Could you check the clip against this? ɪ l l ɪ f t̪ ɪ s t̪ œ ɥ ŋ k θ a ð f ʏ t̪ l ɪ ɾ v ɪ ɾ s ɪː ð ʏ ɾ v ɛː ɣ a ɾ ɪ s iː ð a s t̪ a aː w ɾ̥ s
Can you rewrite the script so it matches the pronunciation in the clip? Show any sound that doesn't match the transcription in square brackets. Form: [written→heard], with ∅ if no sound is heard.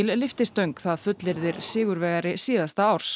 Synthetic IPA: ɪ l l ɪ f t̪ ɪ s t̪ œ ɥ ŋ k θ a ð f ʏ t̪ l ɪ ɾ [v→ð] ɪ ɾ s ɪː [ð→ɣ] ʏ ɾ v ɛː ɣ a ɾ ɪ s iː ð a s t̪ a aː w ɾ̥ s